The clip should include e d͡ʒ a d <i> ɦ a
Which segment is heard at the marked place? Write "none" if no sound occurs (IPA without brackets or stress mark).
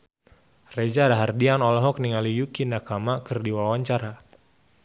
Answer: a